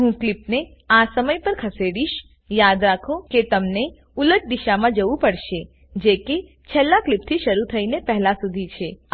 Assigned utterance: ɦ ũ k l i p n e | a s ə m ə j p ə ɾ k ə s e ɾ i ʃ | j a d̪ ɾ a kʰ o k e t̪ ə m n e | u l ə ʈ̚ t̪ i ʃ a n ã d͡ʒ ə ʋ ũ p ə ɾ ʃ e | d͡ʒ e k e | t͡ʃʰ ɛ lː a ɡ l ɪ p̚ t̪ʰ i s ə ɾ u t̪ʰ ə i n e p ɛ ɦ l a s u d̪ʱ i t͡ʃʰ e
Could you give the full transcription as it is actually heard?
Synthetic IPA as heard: ɦ ũ k l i p n e | a s ə m ə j p ə ɾ kʰ ə s e ɽ i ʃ | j a d̪ ɾ a kʰ o k e t̪ ə m n e | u l ə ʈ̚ d̪ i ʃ a m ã d͡ʒ ə ʋ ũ p ə ɽ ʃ e | d͡ʒ e k e | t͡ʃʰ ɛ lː a k l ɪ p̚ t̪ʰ i ʃ ə ɾ u t̪ʰ ə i n e p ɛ ɦ l a s u d̪ʱ i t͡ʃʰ e